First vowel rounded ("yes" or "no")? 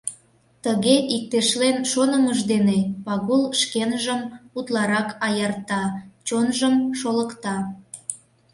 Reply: no